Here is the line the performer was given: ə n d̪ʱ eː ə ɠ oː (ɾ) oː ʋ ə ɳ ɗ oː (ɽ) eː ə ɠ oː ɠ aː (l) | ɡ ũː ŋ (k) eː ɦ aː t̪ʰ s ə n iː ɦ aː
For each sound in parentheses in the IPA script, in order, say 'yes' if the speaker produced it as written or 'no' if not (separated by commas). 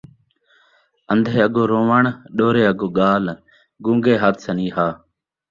yes, no, yes, no